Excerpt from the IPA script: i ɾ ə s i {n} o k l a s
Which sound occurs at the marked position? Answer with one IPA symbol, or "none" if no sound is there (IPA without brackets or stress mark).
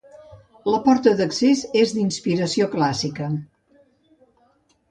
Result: none